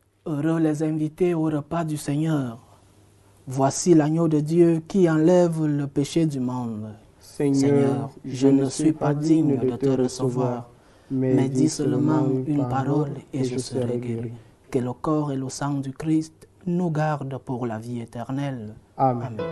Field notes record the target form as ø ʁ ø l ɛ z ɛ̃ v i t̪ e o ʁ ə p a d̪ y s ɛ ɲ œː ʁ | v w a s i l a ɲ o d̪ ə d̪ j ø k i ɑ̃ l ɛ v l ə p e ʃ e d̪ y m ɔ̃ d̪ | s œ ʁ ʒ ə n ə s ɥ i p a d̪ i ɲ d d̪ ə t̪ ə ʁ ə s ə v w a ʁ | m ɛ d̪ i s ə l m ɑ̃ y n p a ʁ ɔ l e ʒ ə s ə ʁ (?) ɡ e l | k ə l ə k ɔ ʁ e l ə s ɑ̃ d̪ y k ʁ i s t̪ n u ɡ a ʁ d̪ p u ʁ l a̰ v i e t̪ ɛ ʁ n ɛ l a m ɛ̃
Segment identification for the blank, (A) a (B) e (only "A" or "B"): B